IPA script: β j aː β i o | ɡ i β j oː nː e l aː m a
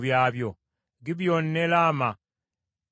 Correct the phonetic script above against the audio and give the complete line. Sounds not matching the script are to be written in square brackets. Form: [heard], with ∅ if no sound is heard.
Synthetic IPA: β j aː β [j] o | ɡ i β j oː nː e l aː m a